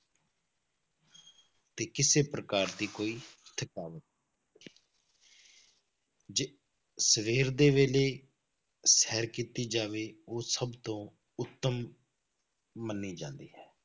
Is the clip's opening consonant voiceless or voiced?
voiceless